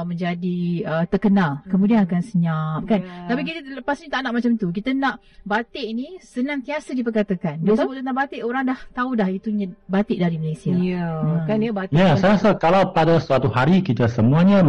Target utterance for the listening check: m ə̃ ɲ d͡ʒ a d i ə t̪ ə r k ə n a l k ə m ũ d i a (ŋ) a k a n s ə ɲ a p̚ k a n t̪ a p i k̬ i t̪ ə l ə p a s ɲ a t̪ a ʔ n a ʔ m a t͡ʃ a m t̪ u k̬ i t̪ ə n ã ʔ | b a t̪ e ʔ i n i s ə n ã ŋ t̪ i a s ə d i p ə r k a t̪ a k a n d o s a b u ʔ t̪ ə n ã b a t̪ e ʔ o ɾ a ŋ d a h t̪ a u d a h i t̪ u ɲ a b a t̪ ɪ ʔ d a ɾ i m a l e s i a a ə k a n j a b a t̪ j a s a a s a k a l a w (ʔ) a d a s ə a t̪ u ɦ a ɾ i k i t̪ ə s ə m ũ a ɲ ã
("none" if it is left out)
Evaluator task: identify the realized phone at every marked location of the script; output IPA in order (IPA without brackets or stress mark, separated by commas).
n, p